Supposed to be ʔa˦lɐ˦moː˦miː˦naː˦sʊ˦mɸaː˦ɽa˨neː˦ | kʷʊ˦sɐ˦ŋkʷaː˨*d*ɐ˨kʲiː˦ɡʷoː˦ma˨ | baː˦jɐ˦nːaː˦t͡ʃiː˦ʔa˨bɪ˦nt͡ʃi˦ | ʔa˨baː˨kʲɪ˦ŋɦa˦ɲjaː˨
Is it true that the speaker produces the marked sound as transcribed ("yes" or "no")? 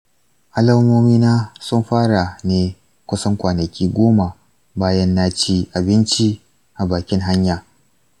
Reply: no